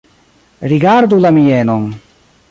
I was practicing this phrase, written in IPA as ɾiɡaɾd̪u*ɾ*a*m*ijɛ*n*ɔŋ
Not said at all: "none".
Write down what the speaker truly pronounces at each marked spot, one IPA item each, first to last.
l, m, n

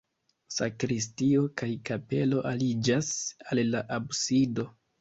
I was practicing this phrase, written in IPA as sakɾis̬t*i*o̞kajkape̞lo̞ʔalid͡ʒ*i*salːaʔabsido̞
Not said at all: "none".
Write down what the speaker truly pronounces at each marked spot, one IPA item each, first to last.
i, a

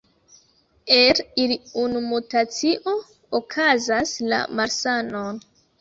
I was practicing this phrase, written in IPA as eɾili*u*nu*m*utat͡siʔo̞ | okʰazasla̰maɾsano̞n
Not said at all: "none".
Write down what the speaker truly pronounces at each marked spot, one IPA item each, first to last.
u, m

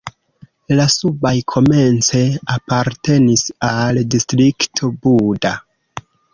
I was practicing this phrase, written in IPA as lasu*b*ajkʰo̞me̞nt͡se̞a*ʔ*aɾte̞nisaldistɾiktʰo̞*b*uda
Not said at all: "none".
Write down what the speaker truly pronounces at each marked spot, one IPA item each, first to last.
b, p, b

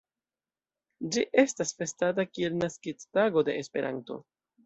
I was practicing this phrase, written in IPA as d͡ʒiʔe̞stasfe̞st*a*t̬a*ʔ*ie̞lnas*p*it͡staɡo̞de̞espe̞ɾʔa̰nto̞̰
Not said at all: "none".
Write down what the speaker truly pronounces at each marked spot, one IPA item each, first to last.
a, k, k

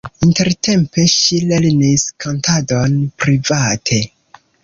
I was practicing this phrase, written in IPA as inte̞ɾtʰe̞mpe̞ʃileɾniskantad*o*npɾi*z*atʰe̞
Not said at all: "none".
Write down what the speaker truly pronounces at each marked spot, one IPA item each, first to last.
o, v

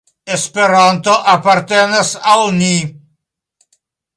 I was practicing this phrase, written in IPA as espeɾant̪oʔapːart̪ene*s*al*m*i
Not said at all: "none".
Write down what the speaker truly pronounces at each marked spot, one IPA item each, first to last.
s, n

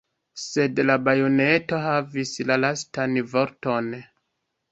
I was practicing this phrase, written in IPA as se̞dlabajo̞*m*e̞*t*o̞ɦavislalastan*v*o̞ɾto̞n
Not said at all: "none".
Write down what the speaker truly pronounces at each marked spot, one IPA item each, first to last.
n, t, v

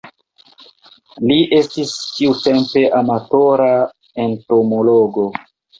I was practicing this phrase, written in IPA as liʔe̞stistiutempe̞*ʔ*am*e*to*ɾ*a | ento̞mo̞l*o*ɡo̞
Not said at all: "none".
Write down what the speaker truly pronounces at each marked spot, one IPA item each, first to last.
ʔ, a, ɾ, o

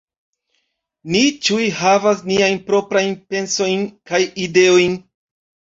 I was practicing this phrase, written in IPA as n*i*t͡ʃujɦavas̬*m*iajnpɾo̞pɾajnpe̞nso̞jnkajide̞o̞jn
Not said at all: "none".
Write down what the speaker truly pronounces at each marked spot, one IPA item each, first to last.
i, n

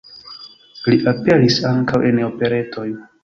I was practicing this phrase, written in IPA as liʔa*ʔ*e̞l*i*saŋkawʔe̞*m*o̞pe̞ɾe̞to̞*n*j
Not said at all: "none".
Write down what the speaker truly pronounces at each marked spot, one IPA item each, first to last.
p, i, n, none

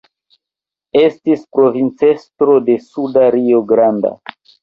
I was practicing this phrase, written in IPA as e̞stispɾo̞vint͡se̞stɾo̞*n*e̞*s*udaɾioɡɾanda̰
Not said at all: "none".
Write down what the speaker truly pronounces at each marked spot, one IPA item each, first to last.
d, s

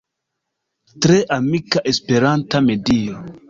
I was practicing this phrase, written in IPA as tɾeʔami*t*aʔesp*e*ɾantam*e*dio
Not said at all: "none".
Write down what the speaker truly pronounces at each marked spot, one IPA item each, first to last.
k, e, e

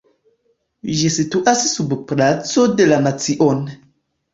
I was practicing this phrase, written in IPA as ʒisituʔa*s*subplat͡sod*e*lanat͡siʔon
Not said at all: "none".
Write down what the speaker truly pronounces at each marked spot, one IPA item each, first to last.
s, e

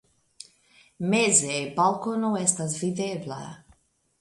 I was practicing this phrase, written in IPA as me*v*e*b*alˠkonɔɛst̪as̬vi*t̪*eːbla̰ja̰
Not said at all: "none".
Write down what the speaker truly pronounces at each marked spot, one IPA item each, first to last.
z, b, d̪

